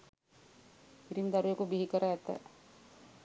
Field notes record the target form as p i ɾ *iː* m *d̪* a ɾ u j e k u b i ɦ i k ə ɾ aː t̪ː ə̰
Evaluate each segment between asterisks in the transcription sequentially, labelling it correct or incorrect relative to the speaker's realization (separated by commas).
incorrect, correct